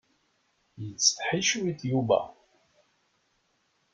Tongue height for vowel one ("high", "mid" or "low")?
mid